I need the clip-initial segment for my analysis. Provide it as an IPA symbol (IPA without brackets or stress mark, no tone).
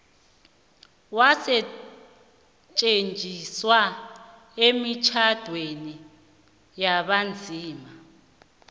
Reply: w